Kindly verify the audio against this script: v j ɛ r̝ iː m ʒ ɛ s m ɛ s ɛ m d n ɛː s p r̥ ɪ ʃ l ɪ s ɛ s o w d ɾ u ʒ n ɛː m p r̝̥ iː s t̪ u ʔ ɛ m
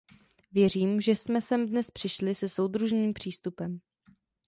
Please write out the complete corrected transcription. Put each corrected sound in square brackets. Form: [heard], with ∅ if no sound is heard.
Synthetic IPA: v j ɛ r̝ iː m ʒ ɛ s m ɛ s ɛ m d n [ɛ] s p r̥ ɪ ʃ l ɪ s ɛ s o w d ɾ u ʒ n [iː] m p r̝̥ iː s t̪ u [p] ɛ m